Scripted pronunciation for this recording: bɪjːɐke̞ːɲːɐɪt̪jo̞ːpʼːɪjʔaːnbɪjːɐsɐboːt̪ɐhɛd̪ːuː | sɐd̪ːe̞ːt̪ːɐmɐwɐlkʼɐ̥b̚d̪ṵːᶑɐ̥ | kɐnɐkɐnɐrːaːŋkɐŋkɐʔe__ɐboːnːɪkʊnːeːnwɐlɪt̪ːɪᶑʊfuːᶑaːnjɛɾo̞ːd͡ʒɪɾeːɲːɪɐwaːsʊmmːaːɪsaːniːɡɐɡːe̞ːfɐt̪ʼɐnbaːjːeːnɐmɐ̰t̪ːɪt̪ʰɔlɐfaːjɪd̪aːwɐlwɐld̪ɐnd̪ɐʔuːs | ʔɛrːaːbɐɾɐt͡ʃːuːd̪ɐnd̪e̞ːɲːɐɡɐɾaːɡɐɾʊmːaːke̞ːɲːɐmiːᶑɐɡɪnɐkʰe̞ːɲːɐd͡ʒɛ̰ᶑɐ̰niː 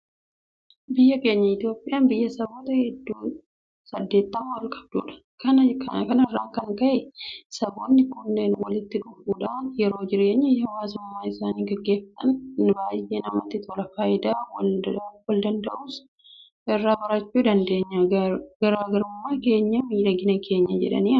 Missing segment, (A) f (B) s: B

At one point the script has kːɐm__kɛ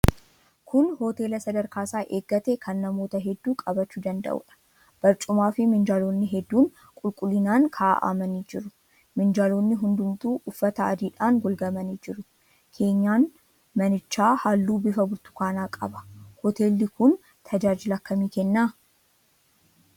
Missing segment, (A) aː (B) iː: B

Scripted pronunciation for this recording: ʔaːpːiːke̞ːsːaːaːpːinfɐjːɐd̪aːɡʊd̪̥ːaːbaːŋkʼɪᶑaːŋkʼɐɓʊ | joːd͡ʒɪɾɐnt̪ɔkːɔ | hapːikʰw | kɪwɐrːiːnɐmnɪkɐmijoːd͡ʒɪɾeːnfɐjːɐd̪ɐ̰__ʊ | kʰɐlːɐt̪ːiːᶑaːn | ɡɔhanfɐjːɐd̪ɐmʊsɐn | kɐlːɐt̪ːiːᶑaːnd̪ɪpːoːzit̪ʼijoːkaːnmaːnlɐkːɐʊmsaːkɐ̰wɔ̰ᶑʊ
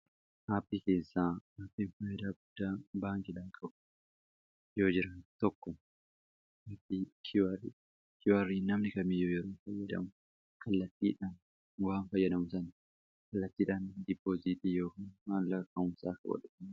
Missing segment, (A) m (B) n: A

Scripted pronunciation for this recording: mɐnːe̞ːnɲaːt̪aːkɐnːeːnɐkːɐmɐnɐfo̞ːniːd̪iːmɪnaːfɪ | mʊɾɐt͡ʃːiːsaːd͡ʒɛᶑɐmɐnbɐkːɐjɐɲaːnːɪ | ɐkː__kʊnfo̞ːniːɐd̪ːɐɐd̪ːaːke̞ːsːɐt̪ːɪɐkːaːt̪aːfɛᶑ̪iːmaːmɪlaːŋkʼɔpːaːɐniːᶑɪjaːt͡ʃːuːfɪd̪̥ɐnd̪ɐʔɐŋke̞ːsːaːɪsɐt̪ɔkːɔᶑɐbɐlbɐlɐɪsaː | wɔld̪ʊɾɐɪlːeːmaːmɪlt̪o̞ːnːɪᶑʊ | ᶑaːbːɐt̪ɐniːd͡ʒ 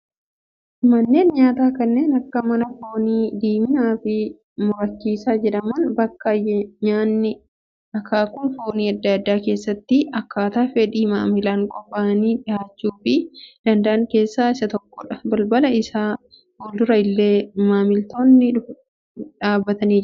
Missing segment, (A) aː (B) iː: A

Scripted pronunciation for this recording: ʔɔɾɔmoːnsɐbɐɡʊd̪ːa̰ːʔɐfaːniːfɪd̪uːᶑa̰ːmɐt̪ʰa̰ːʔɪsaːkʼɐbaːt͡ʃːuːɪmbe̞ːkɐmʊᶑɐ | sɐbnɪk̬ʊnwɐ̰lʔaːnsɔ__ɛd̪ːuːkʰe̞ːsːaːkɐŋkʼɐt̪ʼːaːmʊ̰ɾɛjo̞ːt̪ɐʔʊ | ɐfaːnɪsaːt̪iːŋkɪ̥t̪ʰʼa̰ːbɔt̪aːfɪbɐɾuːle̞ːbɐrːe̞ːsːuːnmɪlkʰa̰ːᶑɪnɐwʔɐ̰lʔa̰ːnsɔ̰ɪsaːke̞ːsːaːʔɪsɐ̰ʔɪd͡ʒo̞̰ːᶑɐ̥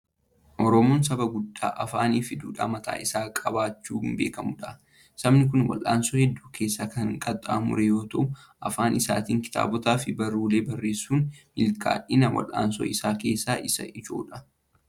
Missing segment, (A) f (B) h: B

